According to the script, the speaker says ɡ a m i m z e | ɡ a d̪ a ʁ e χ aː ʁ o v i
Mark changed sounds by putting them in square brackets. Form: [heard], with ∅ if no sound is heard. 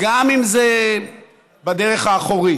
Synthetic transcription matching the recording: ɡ a m i m z e | [b] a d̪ [e] ʁ e χ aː [χ] o [ʁ] i